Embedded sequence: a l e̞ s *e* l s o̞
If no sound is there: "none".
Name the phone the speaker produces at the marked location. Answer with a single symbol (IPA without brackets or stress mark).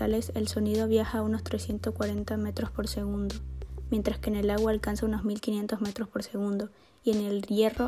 e